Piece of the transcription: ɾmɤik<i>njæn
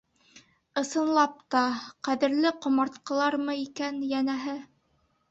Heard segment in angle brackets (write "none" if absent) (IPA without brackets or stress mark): æ